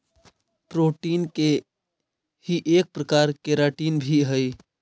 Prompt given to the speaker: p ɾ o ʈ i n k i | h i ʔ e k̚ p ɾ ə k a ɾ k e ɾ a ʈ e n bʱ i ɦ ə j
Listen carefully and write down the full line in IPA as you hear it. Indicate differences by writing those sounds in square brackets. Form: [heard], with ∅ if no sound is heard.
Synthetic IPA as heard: p ɾ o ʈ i n k [e] | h i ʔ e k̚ p ɾ ə k a ɾ k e ɾ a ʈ [i] n bʱ i ɦ ə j